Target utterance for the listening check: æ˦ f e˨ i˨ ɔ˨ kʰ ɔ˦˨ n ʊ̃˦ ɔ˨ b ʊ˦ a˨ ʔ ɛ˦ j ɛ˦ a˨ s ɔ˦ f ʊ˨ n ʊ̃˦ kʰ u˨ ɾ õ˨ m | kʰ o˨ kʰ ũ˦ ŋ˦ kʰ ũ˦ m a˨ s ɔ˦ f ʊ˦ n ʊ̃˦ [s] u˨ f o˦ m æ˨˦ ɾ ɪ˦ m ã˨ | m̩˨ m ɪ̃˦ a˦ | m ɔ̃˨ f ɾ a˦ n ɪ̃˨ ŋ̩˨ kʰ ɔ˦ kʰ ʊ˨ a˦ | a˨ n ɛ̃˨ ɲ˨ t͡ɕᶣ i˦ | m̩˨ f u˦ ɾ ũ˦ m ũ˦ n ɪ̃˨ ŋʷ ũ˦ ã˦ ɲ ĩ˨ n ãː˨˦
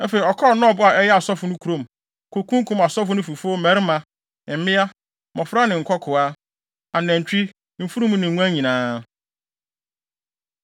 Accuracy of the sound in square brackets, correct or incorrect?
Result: incorrect: f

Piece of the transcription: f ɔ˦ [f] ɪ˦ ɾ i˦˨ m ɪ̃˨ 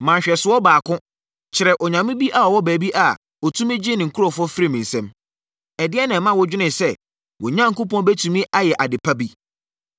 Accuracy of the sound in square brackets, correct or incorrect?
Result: correct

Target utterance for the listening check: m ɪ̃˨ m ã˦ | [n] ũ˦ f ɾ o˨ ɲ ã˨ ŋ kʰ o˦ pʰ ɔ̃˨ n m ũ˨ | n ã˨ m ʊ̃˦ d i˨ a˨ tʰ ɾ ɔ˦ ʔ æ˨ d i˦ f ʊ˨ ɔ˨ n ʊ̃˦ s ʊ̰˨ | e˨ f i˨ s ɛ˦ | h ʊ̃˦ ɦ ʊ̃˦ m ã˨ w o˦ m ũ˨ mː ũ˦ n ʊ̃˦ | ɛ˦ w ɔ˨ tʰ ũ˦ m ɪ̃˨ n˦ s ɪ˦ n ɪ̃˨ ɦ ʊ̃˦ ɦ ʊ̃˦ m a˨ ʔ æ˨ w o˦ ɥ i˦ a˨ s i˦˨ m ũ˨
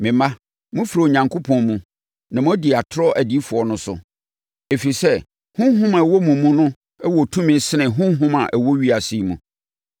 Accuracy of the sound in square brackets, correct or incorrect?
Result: incorrect: m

